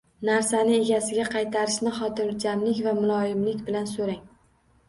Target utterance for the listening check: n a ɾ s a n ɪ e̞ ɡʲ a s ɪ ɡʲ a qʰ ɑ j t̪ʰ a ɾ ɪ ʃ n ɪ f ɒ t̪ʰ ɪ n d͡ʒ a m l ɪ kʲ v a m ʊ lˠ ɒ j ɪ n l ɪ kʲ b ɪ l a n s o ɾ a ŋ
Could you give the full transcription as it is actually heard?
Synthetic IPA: n a ɾ s a n ɪ e̞ ɡʲ a s ɪ ɡʲ a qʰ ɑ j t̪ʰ a ɾ ɪ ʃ n ɪ χ ɒ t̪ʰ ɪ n d͡ʒ a m l ɪ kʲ v a m ʊ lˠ ɒ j ɪ m l ɪ kʲ b ɪ l a n s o ɾ a ŋ